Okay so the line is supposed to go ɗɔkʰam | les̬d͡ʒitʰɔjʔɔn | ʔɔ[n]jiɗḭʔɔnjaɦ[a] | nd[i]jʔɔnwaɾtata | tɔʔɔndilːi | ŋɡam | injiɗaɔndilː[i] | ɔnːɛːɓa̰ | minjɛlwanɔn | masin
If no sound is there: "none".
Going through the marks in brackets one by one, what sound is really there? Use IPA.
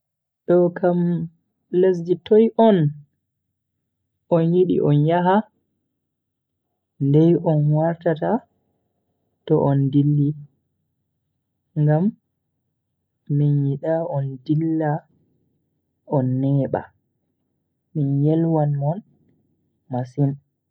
n, a, ɛ, a

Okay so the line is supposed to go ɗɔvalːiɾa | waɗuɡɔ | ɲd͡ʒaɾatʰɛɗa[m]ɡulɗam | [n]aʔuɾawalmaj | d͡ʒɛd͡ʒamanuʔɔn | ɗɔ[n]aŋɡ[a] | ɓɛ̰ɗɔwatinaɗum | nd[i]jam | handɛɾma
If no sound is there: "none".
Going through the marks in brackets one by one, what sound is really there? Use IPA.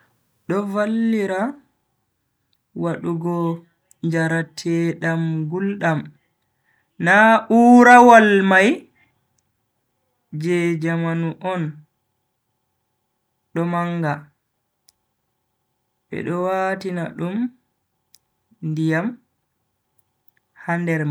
m, n, m, a, i

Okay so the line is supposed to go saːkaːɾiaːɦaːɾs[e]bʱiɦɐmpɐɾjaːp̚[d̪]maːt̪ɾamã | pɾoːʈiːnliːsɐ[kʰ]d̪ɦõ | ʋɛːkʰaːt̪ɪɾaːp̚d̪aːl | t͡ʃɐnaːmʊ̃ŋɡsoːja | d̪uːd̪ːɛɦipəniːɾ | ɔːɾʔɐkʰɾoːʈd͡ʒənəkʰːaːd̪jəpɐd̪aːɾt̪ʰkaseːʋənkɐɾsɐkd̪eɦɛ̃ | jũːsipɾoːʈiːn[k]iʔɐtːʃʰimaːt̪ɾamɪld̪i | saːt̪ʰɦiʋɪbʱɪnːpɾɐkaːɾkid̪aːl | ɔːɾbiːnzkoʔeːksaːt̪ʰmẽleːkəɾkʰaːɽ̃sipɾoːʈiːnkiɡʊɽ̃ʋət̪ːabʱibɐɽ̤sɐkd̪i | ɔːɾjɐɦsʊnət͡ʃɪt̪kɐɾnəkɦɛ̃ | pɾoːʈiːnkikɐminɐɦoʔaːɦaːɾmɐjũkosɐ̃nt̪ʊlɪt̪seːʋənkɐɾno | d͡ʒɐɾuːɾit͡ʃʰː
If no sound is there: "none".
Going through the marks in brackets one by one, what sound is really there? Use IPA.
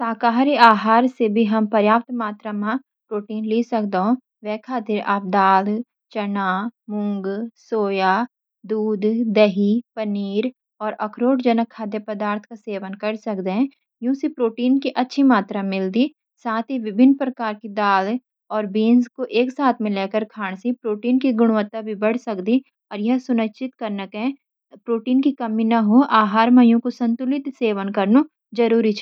e, t̪, k, k

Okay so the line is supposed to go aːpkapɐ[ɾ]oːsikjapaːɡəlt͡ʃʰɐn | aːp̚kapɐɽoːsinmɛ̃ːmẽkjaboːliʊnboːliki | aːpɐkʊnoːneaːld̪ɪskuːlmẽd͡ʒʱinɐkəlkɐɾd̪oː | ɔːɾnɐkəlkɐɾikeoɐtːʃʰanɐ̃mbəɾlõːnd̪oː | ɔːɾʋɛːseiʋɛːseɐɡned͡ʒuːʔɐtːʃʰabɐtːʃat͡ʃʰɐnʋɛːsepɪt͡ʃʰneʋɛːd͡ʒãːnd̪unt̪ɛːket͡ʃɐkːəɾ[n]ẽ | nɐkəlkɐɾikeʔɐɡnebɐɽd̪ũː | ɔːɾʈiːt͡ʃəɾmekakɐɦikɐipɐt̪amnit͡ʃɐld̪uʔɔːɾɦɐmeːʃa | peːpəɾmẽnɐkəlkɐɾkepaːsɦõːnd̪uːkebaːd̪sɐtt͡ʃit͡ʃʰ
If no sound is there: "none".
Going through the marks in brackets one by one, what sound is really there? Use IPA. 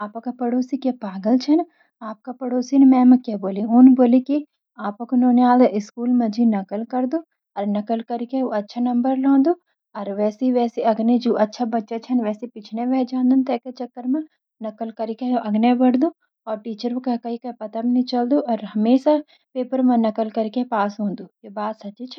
ɽ, m

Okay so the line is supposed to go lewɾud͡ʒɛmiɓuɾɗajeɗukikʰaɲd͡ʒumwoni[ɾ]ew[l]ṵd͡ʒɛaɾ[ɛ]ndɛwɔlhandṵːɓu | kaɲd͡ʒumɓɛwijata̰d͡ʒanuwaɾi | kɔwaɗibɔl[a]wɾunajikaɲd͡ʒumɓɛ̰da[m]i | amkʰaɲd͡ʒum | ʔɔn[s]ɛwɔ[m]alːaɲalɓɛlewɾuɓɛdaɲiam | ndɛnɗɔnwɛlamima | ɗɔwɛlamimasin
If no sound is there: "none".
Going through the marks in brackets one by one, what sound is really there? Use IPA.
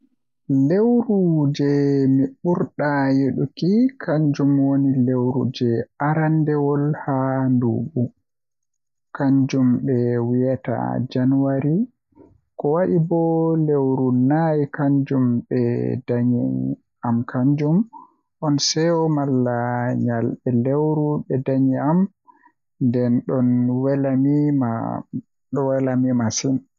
l, ɾ, a, e, ɲ, s, m

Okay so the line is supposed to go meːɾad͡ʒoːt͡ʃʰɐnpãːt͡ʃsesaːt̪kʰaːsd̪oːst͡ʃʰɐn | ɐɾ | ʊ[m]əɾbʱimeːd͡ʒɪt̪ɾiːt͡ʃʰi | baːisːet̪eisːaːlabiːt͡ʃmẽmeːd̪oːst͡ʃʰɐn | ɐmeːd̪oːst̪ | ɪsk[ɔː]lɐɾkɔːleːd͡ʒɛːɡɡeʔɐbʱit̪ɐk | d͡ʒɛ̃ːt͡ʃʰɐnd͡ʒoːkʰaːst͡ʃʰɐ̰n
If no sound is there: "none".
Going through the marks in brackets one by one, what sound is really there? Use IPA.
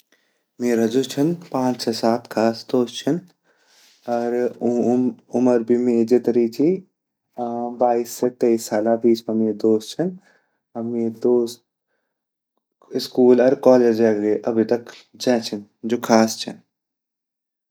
m, uː

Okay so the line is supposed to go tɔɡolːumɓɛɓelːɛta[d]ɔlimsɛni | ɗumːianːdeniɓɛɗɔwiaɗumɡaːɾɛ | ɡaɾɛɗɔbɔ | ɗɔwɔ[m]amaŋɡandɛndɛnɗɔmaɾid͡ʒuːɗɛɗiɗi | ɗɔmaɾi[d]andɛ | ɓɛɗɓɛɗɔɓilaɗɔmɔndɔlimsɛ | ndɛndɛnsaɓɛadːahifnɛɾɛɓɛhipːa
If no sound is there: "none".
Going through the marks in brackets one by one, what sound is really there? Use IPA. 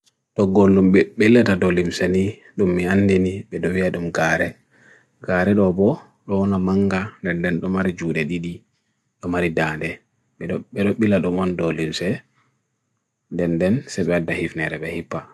d, n, d

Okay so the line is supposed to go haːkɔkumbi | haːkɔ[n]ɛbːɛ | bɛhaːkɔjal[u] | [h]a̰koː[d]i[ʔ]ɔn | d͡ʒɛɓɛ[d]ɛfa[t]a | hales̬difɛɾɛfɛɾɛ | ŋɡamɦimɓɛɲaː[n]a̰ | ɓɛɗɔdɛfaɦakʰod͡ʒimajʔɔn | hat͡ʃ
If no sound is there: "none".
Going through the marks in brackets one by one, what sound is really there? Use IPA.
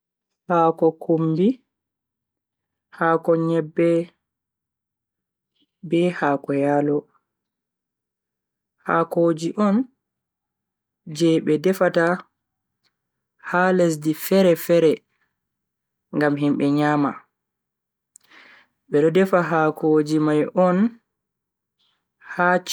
ɲ, ɔ, h, d͡ʒ, ʔ, d, t, m

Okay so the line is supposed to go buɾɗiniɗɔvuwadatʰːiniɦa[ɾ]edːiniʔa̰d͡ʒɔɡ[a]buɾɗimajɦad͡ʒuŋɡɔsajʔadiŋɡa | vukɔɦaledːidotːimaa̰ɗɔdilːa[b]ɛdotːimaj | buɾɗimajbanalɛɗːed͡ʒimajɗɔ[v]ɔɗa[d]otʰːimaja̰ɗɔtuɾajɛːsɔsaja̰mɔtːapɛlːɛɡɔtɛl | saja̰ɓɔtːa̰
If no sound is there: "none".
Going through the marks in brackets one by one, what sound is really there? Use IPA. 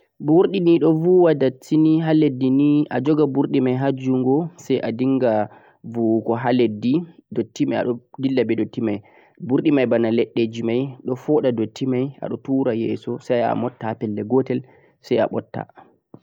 l, a, b, f, d

